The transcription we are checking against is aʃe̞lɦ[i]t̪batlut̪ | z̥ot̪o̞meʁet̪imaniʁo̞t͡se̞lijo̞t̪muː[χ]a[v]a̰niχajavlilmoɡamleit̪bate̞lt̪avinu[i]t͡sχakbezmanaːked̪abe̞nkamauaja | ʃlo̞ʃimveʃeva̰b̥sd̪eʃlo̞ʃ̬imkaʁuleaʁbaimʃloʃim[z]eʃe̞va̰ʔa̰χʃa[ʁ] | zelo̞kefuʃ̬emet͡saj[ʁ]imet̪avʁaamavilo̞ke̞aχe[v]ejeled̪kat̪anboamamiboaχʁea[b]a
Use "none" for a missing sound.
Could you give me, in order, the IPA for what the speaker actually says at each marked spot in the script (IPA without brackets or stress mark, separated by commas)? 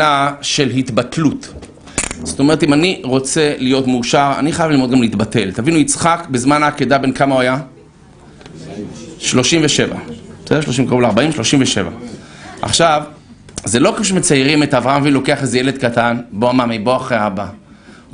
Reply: i, ʃ, ʁ, i, v, v, ʁ, z, b